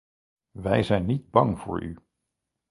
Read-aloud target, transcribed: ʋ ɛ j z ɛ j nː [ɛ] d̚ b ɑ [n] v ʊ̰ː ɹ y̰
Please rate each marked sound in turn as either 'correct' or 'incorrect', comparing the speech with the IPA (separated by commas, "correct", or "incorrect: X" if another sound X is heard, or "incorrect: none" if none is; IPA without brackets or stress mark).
incorrect: i, incorrect: ŋ